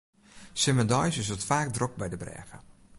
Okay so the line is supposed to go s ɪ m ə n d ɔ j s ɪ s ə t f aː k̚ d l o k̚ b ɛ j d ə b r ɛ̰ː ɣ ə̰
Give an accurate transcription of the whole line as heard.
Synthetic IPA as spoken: s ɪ m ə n d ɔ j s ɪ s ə t f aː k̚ d r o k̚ b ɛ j d ə b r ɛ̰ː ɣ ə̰